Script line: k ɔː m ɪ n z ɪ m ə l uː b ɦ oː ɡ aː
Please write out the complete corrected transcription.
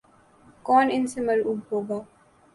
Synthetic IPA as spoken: k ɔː n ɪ n s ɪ m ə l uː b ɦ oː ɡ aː